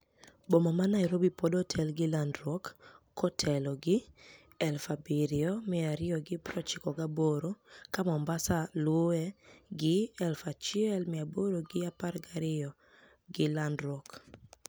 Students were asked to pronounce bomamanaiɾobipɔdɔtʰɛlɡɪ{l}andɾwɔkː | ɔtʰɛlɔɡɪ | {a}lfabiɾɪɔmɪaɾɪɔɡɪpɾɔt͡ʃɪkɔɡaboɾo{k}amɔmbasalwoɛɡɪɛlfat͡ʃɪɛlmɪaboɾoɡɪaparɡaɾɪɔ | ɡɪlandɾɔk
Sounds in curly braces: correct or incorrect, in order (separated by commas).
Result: correct, incorrect, correct